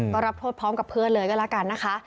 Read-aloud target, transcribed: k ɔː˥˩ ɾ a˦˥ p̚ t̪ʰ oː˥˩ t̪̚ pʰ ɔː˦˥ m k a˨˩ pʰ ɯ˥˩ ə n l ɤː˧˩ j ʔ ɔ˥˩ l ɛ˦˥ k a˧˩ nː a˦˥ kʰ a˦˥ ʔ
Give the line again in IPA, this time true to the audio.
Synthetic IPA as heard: k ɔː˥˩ ɾ a˦˥ p̚ t̪ʰ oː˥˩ t̪̚ pʰ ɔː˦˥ m k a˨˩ pʰ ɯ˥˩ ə n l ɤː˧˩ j k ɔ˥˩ l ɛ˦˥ k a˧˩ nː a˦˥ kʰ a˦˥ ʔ

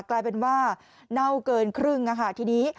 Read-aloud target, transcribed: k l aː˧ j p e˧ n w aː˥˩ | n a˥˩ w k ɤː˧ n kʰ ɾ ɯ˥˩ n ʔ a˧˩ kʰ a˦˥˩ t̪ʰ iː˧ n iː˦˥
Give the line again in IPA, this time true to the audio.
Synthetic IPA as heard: k l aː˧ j p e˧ n w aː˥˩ | n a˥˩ w k ɤː˧ n kʰ ɾ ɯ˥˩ ŋ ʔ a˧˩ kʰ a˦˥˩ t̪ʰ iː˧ n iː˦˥

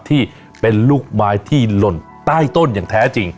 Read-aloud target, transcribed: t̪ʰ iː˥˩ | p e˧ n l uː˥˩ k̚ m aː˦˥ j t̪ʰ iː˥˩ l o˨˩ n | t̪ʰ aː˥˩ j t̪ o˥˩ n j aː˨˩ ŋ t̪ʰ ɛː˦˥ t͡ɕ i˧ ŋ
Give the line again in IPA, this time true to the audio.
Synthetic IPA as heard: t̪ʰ iː˥˩ | p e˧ n l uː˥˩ k̚ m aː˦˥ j t̪ʰ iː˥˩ l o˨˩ n | t̪ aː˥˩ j t̪ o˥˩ n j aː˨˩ ŋ t̪ʰ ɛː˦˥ t͡ɕ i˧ ŋ

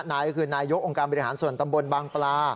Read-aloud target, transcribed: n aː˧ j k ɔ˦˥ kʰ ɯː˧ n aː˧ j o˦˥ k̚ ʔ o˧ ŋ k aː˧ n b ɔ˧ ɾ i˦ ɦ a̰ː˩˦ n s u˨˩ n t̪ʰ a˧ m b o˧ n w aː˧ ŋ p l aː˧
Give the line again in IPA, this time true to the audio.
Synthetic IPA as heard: n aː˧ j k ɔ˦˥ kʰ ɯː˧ n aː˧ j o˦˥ k̚ ʔ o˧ ŋ k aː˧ n b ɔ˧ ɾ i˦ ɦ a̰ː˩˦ n s u˨˩ n t̪ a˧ m b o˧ n b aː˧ ŋ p l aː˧

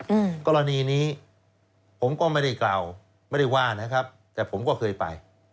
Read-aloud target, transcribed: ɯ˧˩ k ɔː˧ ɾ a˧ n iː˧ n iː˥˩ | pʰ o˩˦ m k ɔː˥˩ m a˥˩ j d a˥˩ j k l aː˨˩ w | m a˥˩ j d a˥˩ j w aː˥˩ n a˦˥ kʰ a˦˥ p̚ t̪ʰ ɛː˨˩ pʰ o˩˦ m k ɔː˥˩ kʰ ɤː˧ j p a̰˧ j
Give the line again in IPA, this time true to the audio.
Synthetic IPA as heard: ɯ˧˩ k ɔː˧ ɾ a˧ n iː˧ n iː˦˥ | pʰ o˩˦ m k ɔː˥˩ m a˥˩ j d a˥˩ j k l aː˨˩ w | m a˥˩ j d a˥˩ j w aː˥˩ n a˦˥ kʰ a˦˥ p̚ t̪ ɛː˨˩ pʰ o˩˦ m k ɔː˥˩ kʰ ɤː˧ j p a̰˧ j

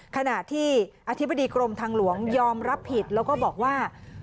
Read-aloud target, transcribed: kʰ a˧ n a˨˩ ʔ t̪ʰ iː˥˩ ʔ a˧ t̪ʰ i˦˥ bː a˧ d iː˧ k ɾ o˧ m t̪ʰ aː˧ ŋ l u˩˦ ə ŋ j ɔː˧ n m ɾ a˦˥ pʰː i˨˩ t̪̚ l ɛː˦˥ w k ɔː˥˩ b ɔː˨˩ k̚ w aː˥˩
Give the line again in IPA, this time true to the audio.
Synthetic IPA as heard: kʰ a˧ n a˨˩ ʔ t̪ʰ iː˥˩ ʔ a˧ t̪ʰ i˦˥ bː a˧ d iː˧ k ɾ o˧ m t̪ʰ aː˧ ŋ l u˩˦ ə ŋ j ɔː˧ m ɾ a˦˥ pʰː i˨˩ t̪̚ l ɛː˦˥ w k ɔː˥˩ b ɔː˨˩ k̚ w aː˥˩

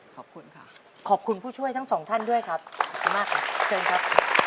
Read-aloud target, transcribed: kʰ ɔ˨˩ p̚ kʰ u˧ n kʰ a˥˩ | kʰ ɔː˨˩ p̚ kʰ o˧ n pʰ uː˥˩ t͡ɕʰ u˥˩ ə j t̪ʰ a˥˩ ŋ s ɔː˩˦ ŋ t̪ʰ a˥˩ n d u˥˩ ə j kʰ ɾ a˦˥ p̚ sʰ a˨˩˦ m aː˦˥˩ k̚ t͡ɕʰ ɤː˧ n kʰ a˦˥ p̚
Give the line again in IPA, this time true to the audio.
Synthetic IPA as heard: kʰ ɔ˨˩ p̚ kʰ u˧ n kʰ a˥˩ | kʰ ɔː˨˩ p̚ kʰ u˧ n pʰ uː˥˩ t͡ɕʰ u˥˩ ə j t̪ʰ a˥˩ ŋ s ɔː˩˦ ŋ t̪ʰ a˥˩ n d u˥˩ ə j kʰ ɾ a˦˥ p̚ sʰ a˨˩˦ m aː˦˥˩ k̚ t͡ɕʰ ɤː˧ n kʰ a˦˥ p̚

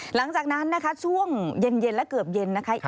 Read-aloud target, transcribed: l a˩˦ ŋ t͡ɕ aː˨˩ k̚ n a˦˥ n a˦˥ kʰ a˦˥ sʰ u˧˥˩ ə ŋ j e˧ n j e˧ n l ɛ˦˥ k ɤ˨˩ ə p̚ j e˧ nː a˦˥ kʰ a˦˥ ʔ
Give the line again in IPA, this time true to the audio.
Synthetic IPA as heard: l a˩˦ ŋ t͡ɕ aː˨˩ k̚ n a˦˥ nː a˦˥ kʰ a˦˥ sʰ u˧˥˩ ə ŋ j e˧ n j e˧ n l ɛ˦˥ k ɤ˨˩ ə p̚ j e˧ nː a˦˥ kʰ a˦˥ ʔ

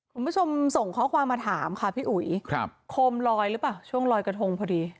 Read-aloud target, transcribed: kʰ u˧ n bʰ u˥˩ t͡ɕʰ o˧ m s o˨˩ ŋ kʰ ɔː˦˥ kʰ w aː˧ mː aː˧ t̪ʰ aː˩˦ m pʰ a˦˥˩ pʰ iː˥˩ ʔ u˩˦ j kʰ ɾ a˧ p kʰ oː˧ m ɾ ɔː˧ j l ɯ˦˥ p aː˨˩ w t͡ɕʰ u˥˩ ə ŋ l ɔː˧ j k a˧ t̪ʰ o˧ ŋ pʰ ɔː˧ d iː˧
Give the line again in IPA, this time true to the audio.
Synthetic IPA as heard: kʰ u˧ n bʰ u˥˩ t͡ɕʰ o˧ m s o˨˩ ŋ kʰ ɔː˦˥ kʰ w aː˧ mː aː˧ t̪ʰ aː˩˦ m kʰ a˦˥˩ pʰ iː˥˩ ʔ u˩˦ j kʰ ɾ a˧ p kʰ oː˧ m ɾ ɔː˧ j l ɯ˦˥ p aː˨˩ w t͡ɕʰ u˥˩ ə ŋ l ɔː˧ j k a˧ t̪ʰ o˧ ŋ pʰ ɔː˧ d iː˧

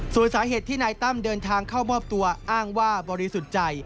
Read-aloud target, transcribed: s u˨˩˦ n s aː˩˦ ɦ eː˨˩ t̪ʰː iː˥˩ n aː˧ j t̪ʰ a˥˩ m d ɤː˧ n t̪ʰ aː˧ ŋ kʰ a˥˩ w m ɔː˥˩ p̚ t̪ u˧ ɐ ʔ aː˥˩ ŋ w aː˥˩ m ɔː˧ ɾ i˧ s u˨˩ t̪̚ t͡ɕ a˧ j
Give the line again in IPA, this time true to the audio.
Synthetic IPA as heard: s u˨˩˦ n s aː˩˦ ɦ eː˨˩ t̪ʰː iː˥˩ n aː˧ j t̪ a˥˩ m d ɤː˧ n t̪ʰ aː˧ ŋ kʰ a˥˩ w m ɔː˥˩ p̚ t̪ u˧ ɐ ʔ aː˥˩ ŋ w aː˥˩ b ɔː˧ ɾ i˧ s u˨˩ t̪̚ t͡ɕ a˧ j

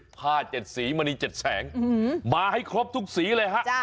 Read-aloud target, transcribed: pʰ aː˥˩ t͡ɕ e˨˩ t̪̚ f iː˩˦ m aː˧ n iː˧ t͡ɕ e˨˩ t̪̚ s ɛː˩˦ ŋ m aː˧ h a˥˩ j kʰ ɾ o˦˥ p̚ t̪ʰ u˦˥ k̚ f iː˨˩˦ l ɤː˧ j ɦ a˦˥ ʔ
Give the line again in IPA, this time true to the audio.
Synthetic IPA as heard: pʰ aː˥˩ t͡ɕ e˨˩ t̪̚ s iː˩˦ m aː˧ n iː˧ t͡ɕ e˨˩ t̪̚ s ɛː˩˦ ŋ m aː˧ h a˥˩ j kʰ ɾ o˦˥ p̚ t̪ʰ u˦˥ k̚ s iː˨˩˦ l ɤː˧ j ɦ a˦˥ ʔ

